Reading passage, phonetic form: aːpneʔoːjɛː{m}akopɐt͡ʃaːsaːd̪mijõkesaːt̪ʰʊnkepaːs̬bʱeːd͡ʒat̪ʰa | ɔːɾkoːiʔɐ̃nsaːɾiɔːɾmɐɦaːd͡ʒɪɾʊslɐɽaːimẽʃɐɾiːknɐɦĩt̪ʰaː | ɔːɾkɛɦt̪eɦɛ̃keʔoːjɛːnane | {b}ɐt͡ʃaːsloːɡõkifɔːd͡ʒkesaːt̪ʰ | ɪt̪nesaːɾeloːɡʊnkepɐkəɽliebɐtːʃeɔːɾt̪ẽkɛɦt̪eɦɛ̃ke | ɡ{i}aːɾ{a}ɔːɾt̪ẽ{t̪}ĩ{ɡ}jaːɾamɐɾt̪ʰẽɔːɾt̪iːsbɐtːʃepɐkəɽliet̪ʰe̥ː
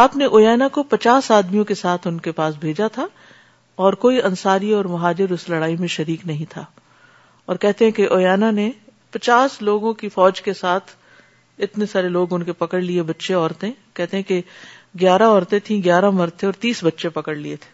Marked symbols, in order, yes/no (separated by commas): no, no, no, yes, no, yes